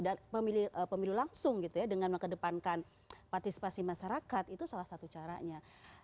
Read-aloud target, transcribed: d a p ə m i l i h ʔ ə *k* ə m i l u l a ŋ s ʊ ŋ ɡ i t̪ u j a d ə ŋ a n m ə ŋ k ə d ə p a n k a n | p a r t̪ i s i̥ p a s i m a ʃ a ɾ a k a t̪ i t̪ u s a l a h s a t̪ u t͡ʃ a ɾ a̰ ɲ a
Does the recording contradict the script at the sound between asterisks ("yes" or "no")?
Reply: yes